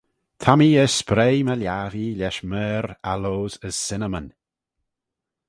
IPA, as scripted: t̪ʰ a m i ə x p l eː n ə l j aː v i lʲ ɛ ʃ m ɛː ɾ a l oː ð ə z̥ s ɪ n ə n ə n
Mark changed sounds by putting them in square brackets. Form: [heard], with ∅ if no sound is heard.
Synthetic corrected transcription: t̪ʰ a m i ə [s] p [ɾ] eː [m] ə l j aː v i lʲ ɛ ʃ m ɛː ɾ a l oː [z] ə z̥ s ɪ n ə [m] ə n